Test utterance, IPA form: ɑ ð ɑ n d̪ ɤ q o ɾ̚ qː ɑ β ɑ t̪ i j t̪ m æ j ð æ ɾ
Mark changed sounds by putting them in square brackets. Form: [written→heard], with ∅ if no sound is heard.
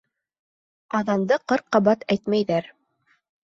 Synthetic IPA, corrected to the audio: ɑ ð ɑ n d̪ ɤ q [o→ɤ] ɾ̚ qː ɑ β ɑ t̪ [i→æ] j t̪ m æ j ð æ ɾ